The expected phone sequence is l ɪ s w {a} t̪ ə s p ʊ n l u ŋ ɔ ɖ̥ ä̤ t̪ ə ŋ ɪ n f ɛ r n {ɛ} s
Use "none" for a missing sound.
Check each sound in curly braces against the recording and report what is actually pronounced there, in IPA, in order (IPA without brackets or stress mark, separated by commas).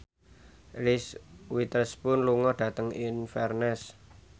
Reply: i, ɛ